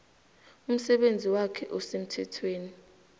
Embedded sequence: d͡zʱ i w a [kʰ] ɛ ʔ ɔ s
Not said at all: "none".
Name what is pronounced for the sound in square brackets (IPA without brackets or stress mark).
kʰ